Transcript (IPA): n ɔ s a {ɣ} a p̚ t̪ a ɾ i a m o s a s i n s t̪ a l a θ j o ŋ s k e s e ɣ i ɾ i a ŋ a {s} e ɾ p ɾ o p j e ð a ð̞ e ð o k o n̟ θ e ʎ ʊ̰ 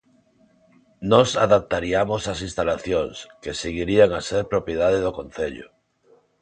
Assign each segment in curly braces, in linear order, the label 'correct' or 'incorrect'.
incorrect, correct

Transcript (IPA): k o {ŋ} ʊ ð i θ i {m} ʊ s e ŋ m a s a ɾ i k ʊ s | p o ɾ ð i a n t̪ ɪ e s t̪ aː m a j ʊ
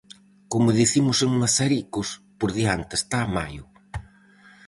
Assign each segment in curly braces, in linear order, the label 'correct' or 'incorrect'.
incorrect, correct

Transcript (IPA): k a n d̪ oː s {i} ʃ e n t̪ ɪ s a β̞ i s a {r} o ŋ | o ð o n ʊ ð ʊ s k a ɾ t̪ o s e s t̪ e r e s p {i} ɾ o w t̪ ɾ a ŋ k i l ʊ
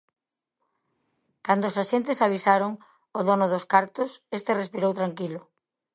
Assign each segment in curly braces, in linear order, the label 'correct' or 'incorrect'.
incorrect, incorrect, correct

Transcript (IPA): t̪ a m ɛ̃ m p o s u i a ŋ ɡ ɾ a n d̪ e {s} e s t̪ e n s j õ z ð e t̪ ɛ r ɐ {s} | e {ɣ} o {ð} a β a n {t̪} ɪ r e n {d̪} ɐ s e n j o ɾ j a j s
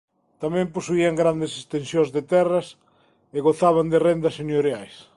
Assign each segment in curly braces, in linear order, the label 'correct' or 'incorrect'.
correct, correct, correct, incorrect, incorrect, correct

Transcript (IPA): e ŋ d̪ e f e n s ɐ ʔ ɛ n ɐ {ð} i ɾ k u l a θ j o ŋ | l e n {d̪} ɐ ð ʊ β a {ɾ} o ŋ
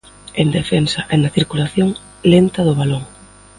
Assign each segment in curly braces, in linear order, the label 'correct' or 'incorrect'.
incorrect, incorrect, incorrect

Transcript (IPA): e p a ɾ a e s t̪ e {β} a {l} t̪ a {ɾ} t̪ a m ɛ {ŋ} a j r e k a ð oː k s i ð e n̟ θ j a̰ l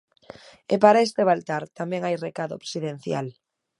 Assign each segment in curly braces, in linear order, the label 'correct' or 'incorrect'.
correct, correct, correct, correct

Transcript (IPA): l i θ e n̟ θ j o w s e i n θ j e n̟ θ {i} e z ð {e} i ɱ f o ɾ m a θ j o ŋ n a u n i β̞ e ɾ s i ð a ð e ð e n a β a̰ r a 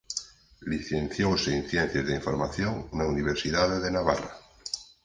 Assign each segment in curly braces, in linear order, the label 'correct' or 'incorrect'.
incorrect, correct

